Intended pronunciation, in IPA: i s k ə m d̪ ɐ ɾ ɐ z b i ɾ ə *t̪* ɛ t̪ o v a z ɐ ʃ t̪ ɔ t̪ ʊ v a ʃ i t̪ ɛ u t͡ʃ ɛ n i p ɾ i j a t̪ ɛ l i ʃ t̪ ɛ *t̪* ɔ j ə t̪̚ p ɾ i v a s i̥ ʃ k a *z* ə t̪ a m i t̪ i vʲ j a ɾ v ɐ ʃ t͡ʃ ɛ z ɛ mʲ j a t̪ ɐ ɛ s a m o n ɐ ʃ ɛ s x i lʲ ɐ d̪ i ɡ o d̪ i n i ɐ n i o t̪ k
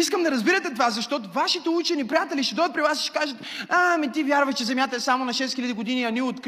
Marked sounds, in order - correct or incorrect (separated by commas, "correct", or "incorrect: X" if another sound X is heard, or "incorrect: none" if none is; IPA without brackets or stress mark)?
correct, incorrect: d̪, incorrect: ʒ